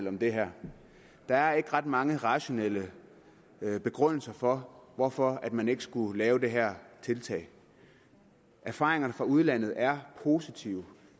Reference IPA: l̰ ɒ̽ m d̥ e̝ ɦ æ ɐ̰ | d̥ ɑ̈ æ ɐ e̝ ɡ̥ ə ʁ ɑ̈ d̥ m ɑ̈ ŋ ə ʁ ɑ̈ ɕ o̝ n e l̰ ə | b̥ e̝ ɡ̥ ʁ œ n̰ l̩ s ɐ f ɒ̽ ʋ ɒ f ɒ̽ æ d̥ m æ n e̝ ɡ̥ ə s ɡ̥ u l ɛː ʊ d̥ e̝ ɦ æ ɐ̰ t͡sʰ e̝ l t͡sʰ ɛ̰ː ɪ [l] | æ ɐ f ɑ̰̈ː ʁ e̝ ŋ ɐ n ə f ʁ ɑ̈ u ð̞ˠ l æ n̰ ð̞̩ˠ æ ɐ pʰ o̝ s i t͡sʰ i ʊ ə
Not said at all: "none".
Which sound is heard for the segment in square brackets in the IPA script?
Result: none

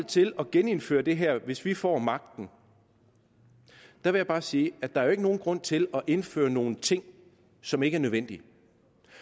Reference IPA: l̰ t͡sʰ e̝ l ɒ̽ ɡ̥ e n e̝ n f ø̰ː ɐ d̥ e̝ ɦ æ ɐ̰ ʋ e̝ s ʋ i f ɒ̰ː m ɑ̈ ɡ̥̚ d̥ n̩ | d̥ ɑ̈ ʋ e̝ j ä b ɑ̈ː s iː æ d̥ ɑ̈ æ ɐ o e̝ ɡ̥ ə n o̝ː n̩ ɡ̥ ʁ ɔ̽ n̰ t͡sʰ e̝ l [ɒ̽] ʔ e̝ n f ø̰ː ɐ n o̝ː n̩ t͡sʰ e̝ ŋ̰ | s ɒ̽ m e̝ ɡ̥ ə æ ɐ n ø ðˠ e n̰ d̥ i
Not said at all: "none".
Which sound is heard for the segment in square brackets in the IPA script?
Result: ɒ̽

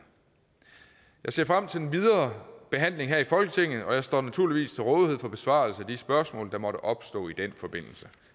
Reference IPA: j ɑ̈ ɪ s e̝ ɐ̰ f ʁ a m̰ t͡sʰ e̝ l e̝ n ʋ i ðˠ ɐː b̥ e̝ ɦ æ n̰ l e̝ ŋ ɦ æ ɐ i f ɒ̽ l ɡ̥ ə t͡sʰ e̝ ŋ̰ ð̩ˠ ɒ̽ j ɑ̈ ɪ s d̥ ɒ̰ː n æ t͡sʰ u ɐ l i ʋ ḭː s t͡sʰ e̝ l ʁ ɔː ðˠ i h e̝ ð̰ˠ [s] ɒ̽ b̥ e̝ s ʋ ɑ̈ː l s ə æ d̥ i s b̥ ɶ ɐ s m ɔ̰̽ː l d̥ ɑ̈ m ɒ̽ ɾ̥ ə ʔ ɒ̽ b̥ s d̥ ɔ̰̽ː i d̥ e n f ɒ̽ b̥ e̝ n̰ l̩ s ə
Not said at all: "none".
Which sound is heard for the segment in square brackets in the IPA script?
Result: f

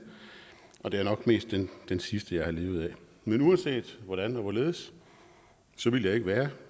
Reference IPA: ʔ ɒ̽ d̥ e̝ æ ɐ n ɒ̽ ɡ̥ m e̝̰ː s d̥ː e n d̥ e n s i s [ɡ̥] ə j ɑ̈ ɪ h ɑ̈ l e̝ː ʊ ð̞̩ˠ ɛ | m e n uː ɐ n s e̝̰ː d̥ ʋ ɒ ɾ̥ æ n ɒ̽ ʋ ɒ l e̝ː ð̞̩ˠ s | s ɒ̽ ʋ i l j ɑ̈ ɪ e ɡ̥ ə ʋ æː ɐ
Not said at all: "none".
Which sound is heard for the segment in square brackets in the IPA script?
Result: d̥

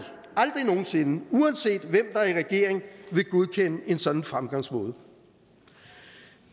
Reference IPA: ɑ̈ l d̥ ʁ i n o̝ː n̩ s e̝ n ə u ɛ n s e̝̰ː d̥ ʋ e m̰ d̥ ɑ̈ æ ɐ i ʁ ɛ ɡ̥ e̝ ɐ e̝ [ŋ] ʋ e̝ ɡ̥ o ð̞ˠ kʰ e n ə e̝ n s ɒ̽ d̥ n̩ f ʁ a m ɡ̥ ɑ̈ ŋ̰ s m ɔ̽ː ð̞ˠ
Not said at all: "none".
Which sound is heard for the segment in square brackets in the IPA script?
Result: ŋ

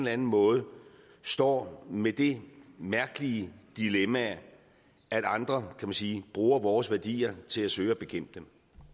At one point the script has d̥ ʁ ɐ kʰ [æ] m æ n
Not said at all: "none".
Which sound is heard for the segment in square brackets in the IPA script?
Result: æ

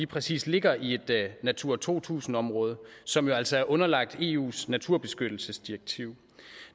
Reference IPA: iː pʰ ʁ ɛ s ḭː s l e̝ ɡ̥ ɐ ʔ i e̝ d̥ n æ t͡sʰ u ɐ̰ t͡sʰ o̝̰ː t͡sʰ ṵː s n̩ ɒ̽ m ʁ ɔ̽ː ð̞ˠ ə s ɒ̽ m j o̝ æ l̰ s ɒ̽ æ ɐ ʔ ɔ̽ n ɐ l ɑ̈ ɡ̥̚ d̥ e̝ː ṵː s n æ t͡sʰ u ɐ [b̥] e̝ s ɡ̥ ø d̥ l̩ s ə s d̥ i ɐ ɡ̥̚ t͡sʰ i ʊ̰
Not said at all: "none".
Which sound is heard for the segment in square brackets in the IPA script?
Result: b̥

